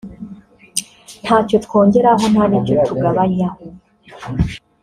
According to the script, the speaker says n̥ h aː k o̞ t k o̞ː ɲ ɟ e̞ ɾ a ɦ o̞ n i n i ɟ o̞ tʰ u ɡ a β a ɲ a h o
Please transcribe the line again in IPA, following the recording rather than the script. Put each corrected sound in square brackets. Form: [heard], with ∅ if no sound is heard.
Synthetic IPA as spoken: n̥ h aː [c] o̞ t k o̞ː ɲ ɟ e̞ ɾ a ɦ o̞ n [a] n i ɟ o̞ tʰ u ɡ a β a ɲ a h o